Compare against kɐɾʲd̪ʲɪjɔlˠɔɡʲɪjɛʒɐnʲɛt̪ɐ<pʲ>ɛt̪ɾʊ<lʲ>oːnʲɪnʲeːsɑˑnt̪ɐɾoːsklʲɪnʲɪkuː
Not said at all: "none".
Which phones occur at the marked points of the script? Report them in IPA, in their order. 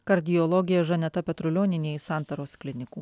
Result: pʲ, lʲ

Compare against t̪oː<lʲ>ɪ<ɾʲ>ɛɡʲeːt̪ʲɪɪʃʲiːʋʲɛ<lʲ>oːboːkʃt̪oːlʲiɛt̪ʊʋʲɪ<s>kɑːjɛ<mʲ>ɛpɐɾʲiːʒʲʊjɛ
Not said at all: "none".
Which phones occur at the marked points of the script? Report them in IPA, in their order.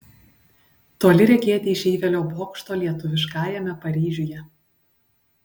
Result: lʲ, ɾʲ, lʲ, ʃ, mʲ

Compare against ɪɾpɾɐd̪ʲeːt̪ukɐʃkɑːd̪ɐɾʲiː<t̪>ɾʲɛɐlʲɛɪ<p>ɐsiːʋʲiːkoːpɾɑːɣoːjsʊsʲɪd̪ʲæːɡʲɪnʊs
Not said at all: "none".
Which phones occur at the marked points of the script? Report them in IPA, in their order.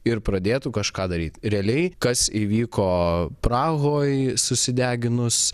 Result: t̪, k

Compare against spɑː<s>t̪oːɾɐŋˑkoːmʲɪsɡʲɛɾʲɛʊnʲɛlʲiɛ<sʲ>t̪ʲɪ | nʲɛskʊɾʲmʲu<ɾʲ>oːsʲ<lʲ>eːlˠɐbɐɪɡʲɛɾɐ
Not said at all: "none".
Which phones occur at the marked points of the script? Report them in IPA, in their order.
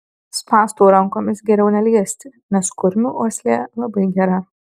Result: s, sʲ, none, lʲ

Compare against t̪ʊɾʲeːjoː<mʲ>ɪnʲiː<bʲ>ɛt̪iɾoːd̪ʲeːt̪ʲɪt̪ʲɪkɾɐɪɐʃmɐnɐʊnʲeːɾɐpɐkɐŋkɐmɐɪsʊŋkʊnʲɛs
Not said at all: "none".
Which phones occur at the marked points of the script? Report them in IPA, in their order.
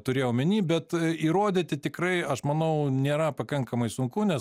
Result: mʲ, bʲ

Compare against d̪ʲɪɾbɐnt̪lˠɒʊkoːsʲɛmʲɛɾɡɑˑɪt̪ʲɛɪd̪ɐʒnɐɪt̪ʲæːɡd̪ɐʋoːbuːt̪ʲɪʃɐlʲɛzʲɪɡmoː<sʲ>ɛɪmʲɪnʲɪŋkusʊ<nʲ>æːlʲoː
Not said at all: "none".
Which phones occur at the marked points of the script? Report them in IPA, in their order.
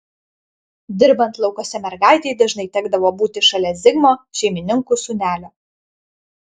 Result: ʃʲ, nʲ

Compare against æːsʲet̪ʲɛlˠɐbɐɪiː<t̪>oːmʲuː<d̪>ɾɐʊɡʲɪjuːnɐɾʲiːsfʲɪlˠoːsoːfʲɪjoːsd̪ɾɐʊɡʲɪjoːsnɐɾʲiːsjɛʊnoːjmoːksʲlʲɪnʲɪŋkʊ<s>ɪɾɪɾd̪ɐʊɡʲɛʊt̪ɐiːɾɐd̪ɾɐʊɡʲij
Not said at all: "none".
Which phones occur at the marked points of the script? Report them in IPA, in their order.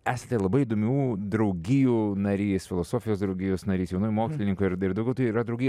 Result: d̪, d̪, none

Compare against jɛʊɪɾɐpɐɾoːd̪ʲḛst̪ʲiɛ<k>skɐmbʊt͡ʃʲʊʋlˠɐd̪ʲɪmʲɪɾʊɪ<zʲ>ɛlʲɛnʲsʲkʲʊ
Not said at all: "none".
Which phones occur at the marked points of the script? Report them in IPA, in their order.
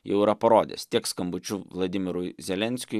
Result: k, zʲ

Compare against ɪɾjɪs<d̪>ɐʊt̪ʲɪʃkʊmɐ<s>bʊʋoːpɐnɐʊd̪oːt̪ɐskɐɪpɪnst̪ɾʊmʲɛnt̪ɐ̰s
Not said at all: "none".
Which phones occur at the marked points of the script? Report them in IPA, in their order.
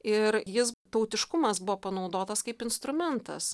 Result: t̪, s

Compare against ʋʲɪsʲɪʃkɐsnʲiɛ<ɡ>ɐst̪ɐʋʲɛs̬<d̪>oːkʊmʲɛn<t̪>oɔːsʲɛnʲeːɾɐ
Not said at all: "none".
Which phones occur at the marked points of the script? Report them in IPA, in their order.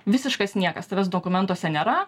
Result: k, d̪, t̪

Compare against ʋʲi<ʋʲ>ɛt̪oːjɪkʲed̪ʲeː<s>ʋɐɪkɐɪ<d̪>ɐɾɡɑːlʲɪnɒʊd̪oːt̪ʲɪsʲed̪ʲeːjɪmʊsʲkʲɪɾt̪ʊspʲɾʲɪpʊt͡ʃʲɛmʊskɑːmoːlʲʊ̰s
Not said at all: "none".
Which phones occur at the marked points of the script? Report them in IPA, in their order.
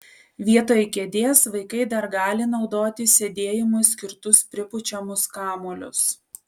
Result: none, s, d̪

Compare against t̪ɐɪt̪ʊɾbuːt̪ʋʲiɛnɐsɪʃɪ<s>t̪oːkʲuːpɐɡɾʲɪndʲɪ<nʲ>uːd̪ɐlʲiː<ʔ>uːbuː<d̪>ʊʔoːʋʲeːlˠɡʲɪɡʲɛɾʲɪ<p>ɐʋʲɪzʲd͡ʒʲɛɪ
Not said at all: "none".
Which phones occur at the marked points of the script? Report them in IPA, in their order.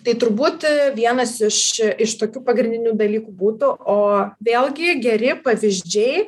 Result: ʃ, nʲ, k, t̪, p

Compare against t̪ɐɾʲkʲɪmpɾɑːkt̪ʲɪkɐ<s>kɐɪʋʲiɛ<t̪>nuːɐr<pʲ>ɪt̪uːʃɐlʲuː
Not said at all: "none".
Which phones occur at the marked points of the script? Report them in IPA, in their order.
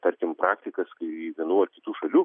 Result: s, none, kʲ

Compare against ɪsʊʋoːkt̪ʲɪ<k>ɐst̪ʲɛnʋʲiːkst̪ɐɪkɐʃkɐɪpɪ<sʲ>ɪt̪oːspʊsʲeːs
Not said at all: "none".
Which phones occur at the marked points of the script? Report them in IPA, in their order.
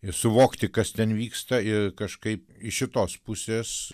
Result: k, ʃʲ

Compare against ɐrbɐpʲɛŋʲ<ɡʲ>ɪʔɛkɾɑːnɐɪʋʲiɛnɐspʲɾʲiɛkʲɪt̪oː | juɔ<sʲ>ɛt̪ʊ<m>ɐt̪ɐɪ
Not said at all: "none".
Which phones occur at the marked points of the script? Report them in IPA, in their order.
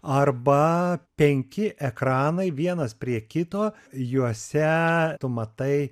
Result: kʲ, sʲ, m

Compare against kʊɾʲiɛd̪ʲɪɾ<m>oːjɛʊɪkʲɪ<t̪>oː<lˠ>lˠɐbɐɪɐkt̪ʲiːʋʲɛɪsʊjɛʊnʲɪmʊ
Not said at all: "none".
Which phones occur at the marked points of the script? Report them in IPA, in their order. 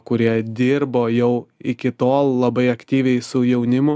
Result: b, t̪, lˠ

